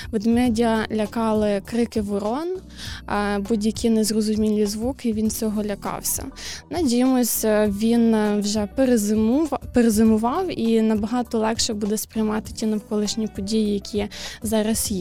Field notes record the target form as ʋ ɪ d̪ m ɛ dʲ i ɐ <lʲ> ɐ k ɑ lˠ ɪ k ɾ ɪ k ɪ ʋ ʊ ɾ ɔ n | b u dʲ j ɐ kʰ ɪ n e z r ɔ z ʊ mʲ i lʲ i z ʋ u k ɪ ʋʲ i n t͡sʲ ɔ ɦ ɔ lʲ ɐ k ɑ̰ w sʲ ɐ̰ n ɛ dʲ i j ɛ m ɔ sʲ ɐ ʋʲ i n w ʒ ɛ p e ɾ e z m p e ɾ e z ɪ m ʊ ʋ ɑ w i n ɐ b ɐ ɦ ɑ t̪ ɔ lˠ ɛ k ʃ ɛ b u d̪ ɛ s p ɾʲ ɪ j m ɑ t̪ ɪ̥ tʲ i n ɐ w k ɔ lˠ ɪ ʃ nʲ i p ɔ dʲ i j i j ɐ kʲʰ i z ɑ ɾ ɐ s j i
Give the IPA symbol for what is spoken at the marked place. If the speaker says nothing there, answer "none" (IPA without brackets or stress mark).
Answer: lʲ